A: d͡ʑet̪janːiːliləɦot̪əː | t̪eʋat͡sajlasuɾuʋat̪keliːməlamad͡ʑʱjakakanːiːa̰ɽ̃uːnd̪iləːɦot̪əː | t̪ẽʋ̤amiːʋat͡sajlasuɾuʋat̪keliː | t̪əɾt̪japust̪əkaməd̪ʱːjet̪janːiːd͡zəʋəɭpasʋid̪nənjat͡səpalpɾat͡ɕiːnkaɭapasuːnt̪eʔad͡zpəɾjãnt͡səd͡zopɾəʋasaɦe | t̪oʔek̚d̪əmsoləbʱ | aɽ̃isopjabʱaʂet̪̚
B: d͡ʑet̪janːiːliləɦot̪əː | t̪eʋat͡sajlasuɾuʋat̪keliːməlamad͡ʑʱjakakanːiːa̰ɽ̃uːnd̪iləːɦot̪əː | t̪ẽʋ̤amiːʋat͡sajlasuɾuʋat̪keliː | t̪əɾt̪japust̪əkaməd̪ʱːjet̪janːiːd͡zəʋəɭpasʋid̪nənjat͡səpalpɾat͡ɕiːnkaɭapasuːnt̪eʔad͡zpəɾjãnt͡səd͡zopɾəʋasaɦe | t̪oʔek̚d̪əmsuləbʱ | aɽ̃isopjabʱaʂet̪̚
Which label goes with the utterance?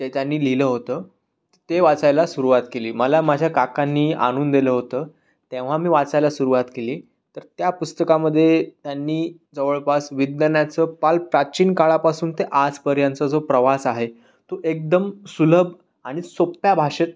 B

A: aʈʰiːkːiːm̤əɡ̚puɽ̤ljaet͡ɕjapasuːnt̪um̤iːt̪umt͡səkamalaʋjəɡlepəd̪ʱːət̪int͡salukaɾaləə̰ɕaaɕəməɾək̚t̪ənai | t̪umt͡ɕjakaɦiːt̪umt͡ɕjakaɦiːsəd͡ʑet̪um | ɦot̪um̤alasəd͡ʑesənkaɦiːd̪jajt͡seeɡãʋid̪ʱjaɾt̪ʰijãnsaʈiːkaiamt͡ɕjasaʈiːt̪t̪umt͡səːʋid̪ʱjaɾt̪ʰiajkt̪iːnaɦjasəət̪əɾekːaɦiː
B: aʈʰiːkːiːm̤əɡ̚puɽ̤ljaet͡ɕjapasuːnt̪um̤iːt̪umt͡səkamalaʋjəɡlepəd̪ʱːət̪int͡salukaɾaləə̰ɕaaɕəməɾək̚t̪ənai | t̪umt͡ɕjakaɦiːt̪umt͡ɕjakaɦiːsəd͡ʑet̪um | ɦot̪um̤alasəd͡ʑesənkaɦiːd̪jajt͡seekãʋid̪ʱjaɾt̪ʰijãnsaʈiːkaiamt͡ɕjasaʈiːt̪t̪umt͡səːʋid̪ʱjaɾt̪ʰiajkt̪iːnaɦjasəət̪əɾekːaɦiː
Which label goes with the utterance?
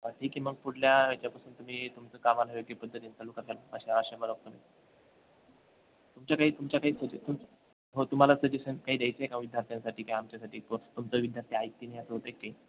B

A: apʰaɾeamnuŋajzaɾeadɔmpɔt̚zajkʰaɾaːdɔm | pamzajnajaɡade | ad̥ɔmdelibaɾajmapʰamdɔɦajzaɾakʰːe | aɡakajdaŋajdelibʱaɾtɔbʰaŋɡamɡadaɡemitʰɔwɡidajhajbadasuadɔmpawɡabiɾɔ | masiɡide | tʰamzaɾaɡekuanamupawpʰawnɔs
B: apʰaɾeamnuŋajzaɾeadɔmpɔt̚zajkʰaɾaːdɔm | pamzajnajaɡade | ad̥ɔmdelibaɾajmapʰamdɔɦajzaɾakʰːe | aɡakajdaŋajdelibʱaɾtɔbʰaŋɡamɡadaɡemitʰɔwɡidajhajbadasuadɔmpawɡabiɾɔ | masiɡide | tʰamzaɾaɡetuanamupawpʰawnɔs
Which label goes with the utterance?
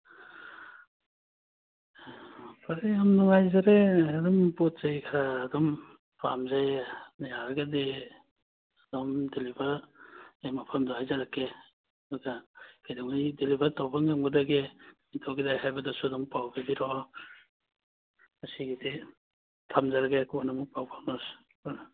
A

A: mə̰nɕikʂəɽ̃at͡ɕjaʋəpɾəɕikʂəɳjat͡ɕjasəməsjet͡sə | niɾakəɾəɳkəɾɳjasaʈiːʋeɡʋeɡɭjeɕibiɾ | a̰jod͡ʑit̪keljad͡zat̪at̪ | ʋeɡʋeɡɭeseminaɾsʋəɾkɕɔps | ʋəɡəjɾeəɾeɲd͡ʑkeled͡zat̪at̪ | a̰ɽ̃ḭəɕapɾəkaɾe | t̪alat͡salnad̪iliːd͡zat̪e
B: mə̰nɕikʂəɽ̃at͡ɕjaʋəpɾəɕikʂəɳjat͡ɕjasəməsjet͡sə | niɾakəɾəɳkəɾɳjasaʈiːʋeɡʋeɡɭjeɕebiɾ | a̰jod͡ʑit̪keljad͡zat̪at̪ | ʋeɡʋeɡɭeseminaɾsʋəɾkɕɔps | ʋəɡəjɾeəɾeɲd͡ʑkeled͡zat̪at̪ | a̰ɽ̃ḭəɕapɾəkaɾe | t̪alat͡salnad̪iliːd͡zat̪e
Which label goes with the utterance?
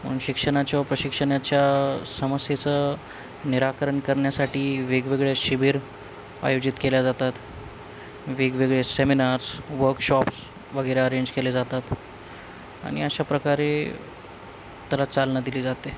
A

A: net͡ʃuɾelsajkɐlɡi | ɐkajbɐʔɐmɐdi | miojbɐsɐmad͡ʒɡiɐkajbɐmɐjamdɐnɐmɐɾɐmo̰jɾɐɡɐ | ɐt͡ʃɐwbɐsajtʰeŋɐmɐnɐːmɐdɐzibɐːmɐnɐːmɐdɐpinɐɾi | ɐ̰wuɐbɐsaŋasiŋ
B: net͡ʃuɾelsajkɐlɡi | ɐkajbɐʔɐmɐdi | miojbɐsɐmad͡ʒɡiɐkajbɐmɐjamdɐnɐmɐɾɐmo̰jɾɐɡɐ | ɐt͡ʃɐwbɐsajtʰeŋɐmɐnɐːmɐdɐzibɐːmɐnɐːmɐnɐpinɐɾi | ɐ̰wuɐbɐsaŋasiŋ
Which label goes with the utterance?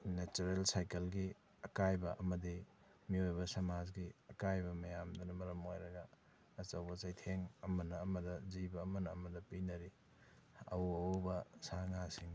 A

